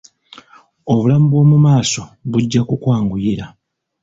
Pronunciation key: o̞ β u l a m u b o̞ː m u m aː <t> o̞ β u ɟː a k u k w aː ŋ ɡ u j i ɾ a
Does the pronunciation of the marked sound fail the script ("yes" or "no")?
yes